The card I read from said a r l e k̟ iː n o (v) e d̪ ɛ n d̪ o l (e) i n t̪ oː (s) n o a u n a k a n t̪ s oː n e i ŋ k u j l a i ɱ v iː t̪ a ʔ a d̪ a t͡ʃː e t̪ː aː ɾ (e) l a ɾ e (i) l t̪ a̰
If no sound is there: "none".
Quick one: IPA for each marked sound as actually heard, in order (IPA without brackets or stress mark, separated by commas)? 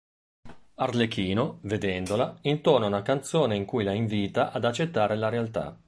v, a, none, e, a